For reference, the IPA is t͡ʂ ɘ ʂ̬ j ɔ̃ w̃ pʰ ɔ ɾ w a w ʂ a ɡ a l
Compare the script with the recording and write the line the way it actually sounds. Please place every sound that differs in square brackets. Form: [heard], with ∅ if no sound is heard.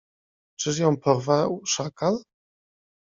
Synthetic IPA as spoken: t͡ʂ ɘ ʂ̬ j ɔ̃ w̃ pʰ ɔ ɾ [v] a w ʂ a [k] a l

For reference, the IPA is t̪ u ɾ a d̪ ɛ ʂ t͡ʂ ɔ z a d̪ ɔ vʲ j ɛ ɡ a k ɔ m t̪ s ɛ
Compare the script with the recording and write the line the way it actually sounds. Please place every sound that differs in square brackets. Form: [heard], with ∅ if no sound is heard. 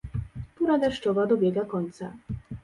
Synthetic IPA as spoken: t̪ u ɾ a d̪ ɛ ʂ t͡ʂ ɔ [v] a d̪ ɔ [bʲ] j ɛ ɡ a k ɔ [ɲ] t̪ s [a]

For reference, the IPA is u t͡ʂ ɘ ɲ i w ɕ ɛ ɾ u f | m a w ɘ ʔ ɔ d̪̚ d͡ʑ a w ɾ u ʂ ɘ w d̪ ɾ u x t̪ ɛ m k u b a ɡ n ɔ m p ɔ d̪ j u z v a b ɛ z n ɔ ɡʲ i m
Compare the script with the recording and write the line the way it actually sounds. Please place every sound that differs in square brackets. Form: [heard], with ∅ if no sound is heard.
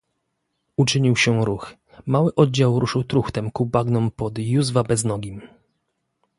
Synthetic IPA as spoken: u t͡ʂ ɘ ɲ i w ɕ ɛ ɾ u [x] | m a w ɘ ʔ ɔ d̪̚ d͡ʑ a w ɾ u ʂ ɘ w [t̪] ɾ u x t̪ ɛ m k u b a ɡ n ɔ m p ɔ d̪ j u z v a b ɛ z n ɔ ɡʲ i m

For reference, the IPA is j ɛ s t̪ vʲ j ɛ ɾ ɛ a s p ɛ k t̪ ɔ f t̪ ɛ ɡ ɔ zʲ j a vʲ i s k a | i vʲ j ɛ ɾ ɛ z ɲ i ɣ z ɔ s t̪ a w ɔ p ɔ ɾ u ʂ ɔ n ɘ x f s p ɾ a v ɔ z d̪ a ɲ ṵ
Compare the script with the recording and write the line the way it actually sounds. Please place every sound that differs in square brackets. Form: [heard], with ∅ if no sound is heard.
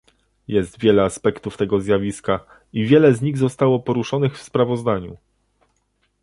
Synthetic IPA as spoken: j ɛ s t̪ vʲ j ɛ [l] ɛ a s p ɛ k t̪ [u] f t̪ ɛ ɡ ɔ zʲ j a vʲ i s k a | i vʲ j ɛ [l] ɛ z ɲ i ɣ z ɔ s t̪ a w ɔ p ɔ ɾ u ʂ ɔ n ɘ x f s p ɾ a v ɔ z d̪ a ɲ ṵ

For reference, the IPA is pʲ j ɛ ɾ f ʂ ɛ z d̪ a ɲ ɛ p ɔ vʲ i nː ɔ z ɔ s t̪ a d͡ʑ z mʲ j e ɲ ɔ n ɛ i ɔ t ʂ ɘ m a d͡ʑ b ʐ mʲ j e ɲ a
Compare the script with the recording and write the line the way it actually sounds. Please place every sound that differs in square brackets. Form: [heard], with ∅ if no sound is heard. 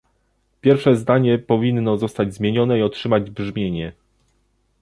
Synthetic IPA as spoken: pʲ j ɛ ɾ f ʂ ɛ z d̪ a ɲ ɛ p ɔ vʲ i nː ɔ z ɔ s t̪ a d͡ʑ z mʲ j e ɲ ɔ n ɛ i ɔ t ʂ ɘ m a d͡ʑ b ʐ mʲ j e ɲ [ɛ]

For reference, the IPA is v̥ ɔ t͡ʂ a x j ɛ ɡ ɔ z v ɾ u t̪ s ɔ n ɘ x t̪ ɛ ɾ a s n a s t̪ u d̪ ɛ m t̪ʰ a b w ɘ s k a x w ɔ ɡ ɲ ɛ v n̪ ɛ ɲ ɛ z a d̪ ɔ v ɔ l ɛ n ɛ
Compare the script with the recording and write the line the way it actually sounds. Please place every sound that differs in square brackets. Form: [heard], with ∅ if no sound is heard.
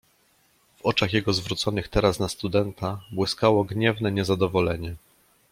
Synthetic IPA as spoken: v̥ ɔ t͡ʂ a x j ɛ ɡ ɔ z v ɾ u t̪ s ɔ n ɘ x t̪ ɛ ɾ a s n a s t̪ u d̪ ɛ [n] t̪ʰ a b w ɘ s k a [∅] w ɔ ɡ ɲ ɛ v n̪ ɛ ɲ ɛ z a d̪ ɔ v ɔ l ɛ [ɲ] ɛ

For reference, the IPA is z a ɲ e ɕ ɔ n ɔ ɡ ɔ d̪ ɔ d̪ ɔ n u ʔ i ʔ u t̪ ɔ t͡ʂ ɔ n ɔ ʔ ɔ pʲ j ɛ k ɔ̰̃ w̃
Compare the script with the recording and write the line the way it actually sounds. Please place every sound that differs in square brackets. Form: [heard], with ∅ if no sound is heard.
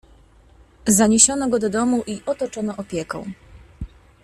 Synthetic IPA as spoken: z a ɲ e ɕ ɔ n ɔ ɡ ɔ d̪ ɔ d̪ ɔ [m] u ʔ i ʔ [ɔ] t̪ ɔ t͡ʂ ɔ n ɔ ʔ ɔ pʲ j ɛ k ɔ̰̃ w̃

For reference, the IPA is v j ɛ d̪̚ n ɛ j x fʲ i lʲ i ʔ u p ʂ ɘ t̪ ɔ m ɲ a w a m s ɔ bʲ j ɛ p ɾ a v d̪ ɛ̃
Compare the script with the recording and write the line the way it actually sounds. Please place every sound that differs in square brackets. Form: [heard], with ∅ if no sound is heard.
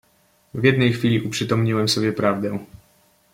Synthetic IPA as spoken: v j ɛ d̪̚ n ɛ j x fʲ i lʲ i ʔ u p ʂ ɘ t̪ ɔ m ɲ [i] w [ɛ] m s ɔ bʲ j ɛ p ɾ a v d̪ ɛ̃

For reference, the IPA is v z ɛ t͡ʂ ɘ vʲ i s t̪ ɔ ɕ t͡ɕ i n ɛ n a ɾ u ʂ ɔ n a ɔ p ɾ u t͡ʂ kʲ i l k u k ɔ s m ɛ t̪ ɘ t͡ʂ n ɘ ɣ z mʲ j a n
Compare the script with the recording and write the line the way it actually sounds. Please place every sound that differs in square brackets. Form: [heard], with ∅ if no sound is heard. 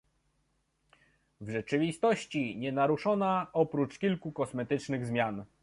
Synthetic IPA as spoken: v [ʐ] ɛ t͡ʂ ɘ vʲ i s t̪ ɔ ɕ t͡ɕ i [ɲ] ɛ n a ɾ u ʂ ɔ n a ɔ p ɾ u t͡ʂ kʲ i l k u k ɔ s m ɛ t̪ ɘ t͡ʂ n ɘ ɣ z mʲ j a n

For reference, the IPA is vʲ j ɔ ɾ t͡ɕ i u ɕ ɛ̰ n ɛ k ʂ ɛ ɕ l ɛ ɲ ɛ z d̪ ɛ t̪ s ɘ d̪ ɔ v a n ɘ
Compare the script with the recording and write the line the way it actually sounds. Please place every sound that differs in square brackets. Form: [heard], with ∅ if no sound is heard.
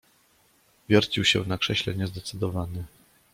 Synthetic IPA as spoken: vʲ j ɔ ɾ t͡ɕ i [w] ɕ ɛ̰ n [a] k ʂ ɛ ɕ l ɛ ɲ ɛ z d̪ ɛ t̪ s ɘ d̪ ɔ v a n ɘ

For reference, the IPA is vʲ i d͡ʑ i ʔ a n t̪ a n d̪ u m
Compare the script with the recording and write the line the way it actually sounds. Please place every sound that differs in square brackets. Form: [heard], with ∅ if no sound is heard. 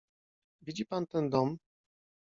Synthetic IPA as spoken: vʲ i d͡ʑ i [p] a n t̪ [ɛ] n d̪ [ɔ] m

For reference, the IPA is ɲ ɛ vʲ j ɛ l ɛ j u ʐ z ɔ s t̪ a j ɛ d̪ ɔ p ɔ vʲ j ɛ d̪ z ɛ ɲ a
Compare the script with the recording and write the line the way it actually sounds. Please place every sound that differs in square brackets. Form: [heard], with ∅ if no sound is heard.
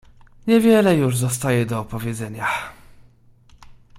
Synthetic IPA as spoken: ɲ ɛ vʲ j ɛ l ɛ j u ʐ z ɔ s t̪ a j ɛ d̪ [ɔː] p ɔ vʲ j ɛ d̪ z ɛ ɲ a

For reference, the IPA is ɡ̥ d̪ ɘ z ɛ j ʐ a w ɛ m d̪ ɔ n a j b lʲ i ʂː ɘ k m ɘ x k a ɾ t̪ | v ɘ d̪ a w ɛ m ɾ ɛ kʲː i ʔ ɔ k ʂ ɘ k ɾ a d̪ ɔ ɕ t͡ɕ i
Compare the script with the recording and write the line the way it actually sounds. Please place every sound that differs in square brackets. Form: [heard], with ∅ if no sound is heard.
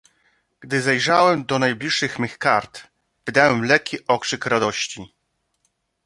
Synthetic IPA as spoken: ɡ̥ d̪ ɘ z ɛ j ʐ a w ɛ m d̪ ɔ n a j b lʲ i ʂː ɘ [x] m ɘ x k a ɾ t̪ | v ɘ d̪ a w ɛ m [l] ɛ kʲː i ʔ ɔ k ʂ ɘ k ɾ a d̪ ɔ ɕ t͡ɕ i

